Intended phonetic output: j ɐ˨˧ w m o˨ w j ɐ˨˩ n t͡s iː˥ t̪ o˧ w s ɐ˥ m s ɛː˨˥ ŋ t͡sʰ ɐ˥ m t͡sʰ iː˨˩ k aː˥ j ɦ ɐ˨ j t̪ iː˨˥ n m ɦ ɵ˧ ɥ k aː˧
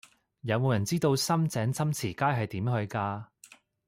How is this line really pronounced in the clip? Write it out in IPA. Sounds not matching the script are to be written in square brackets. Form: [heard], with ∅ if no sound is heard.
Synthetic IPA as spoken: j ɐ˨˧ w m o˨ w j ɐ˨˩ n t͡s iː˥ t̪ o˧ w s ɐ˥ m [t͡s] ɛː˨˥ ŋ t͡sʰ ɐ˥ m t͡sʰ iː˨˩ k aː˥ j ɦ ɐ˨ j t̪ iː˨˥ [∅] m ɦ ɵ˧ ɥ k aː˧